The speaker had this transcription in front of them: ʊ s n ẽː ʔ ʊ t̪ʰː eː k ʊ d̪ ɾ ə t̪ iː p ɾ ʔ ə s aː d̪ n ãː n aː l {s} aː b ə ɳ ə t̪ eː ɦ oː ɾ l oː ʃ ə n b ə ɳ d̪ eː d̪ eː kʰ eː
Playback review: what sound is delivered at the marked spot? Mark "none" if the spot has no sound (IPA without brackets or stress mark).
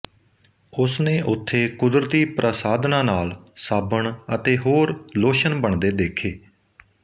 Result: s